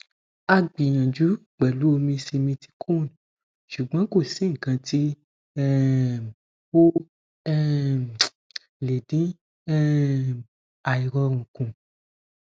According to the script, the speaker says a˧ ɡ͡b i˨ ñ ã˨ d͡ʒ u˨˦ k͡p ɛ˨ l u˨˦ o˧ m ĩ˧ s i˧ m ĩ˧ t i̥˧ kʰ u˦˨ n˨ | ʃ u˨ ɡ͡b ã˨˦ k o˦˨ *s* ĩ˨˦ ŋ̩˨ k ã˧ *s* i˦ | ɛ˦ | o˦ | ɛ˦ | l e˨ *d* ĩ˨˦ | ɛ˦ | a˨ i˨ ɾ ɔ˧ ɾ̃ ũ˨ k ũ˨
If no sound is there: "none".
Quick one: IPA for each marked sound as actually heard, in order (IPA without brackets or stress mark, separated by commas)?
s, t, d